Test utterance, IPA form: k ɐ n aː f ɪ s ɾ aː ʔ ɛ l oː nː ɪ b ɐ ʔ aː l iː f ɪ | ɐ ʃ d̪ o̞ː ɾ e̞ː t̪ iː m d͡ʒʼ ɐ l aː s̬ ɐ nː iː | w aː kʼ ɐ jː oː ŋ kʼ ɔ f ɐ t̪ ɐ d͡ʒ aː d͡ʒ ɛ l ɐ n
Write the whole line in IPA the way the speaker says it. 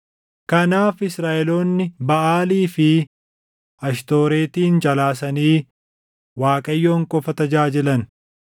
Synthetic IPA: k ɐ n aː f ɪ s ɾ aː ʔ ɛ l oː nː ɪ b ɐ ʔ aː l iː f ɪ | ɐ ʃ t̪ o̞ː ɾ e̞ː t̪ iː n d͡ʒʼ ɐ l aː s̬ ɐ n iː | w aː kʼ ɐ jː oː ŋ kʼ ɔ f ɐ t̪ ɐ d͡ʒ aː d͡ʒ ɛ l ɐ n